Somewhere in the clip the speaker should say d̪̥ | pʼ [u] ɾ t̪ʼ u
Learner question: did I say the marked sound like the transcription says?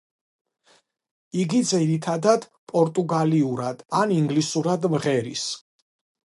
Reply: no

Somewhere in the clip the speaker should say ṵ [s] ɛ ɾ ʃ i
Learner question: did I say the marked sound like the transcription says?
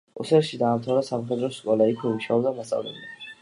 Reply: yes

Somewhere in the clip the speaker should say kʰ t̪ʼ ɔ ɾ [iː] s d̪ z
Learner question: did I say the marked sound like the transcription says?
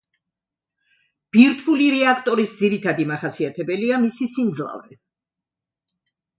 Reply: no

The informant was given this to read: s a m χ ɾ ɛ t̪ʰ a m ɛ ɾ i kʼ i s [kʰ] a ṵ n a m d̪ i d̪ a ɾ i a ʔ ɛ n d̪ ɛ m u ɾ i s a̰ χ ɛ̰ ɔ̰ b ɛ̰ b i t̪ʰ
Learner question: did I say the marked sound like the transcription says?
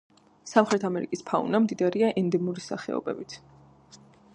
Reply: no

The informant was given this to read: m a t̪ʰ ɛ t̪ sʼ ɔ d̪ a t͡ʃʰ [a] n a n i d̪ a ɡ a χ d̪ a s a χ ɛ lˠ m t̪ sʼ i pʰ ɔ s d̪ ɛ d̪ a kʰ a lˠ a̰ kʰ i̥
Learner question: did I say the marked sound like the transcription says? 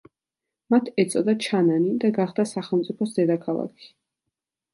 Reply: yes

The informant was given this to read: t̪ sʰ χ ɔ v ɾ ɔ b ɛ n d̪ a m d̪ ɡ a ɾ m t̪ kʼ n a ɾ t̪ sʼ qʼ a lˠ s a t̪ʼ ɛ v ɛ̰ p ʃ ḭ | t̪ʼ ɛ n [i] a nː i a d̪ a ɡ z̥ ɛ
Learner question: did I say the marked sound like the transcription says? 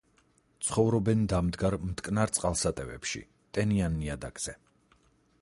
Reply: yes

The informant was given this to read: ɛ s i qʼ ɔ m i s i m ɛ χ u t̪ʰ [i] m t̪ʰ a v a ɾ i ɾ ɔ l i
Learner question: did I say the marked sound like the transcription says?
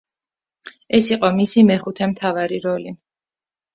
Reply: no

